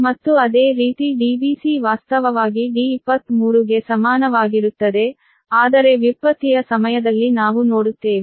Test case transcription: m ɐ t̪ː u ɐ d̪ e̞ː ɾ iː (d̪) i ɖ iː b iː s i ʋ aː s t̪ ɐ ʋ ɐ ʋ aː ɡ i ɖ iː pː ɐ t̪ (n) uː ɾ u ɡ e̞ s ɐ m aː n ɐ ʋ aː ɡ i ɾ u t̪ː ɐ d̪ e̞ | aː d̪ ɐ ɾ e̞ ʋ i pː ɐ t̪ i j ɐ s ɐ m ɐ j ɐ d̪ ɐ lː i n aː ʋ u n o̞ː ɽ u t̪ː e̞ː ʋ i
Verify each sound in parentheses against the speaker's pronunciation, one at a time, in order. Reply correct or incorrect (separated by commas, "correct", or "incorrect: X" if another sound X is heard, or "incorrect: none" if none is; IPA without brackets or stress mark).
incorrect: t̪, incorrect: m